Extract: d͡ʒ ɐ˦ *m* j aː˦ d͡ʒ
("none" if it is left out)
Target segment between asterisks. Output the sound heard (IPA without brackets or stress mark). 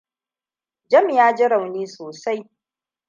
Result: m